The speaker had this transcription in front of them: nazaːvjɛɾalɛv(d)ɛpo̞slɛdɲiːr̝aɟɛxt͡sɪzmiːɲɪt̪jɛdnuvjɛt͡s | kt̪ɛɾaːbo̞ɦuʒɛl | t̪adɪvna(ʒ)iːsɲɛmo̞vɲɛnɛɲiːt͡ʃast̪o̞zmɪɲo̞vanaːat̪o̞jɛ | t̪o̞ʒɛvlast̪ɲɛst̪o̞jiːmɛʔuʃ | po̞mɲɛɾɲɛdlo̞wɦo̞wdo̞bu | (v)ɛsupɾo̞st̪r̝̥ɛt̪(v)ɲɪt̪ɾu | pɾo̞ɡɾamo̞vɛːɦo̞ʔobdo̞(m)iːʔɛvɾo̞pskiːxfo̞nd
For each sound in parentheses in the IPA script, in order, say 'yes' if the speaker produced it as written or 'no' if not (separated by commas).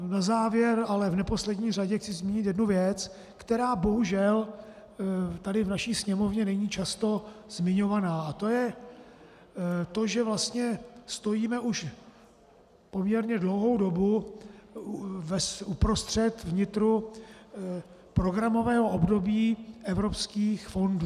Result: no, no, yes, yes, no